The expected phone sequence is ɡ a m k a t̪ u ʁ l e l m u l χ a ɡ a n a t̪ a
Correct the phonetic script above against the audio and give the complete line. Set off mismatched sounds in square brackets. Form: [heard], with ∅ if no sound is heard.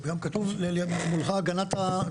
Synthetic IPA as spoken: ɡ a m k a t̪ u [v] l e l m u l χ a ɡ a n a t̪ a